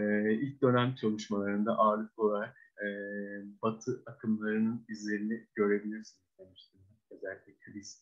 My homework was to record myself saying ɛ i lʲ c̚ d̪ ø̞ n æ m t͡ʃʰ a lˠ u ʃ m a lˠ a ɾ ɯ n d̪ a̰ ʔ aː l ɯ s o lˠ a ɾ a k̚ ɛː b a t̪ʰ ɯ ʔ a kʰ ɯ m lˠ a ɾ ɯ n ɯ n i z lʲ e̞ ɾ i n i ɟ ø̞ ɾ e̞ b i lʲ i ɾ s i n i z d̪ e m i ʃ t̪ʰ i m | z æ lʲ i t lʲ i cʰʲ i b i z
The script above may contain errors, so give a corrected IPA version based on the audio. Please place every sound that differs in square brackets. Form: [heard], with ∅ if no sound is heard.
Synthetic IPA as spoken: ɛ i lʲ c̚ d̪ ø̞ n æ m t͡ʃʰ a lˠ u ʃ m a lˠ a ɾ ɯ n d̪ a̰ ʔ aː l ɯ [f] o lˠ a ɾ a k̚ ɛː b a t̪ʰ ɯ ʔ a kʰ ɯ m lˠ a ɾ ɯ n ɯ n i z lʲ e̞ ɾ i n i ɟ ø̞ ɾ e̞ b i lʲ i ɾ s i n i z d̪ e m i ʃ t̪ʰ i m | z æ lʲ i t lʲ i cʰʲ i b i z